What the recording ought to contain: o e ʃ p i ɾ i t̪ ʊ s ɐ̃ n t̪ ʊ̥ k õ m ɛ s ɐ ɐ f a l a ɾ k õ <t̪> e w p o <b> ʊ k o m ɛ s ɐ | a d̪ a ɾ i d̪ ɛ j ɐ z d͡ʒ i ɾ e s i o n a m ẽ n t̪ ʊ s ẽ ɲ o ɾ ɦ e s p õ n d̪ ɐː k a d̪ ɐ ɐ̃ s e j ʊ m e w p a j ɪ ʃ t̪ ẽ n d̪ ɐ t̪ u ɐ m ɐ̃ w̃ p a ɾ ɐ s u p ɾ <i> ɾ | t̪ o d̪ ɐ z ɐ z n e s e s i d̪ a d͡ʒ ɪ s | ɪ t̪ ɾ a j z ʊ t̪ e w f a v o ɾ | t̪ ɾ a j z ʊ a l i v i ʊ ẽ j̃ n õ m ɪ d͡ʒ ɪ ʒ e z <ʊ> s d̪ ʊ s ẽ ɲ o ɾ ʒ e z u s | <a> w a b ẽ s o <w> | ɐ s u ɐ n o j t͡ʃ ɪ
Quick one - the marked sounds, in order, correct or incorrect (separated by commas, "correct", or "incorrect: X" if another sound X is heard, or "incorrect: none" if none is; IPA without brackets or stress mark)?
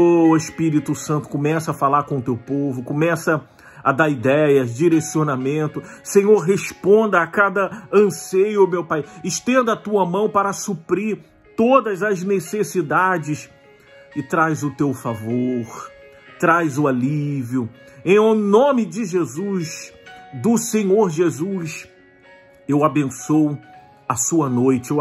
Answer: correct, incorrect: v, correct, incorrect: u, incorrect: e, correct